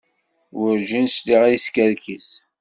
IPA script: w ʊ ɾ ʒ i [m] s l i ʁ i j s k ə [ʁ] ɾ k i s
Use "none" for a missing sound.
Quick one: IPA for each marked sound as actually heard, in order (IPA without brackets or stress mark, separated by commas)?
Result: n, none